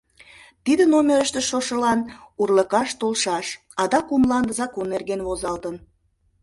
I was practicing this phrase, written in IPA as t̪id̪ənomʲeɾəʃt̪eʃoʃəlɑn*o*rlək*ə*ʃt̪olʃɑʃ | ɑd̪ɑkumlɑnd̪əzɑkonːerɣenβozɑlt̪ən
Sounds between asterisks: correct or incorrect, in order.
incorrect: u, incorrect: ɑ

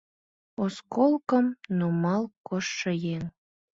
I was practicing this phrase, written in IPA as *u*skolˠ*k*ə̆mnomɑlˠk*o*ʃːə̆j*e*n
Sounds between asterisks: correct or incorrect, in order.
incorrect: o, correct, correct, correct

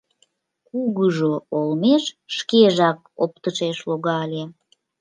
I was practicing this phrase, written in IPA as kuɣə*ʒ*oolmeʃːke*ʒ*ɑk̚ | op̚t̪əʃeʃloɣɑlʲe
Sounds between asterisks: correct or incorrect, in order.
correct, correct

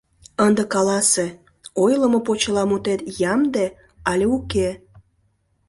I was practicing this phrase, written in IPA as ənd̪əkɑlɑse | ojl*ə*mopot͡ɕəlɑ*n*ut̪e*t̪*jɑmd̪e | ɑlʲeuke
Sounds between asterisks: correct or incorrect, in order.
correct, incorrect: m, correct

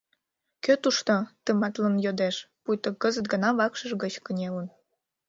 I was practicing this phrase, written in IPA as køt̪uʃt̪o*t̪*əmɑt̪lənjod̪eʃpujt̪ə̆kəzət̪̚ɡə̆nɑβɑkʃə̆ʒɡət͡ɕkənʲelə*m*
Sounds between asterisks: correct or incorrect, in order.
correct, incorrect: n

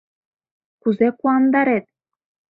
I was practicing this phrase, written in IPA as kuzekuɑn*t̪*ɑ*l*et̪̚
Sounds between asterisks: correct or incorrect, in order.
incorrect: d̪, incorrect: ɾ

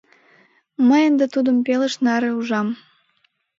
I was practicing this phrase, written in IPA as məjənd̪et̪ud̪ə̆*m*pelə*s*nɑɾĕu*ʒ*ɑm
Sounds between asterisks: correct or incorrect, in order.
correct, incorrect: ʃ, correct

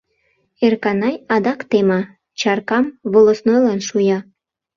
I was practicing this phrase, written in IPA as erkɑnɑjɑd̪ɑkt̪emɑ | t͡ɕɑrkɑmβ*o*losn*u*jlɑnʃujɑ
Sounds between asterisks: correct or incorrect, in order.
correct, incorrect: o

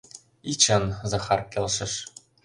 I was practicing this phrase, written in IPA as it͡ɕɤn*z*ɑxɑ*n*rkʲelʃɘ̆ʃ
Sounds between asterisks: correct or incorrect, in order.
correct, incorrect: none

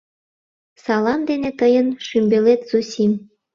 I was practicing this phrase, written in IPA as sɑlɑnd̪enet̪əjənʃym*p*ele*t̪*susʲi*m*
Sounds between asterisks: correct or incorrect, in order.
incorrect: b, correct, correct

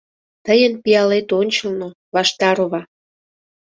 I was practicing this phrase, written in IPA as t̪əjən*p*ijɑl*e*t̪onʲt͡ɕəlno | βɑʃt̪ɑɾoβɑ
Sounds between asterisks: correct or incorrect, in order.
correct, correct

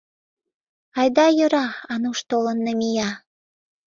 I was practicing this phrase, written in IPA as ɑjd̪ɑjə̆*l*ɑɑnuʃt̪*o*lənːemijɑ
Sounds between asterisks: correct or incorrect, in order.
incorrect: ɾ, correct

